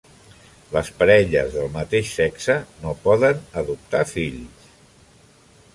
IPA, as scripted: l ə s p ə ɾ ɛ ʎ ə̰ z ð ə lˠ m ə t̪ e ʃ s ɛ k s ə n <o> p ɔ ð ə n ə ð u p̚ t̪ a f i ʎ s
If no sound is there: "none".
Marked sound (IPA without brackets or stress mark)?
o